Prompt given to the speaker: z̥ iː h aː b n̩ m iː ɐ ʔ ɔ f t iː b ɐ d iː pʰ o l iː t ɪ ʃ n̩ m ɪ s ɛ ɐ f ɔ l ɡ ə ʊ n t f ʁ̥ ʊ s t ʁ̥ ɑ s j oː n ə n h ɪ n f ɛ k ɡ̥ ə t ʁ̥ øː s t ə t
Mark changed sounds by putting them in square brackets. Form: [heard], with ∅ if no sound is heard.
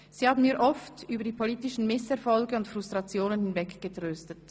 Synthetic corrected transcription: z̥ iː h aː b n̩ m iː ɐ ʔ ɔ f t [yː] b ɐ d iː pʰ o l iː t ɪ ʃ n̩ m ɪ s ɛ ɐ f ɔ l ɡ ə ʊ n t f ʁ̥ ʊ s t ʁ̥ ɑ [t͡s] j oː n ə n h ɪ n [v] ɛ k ɡ̥ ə t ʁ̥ øː s t ə t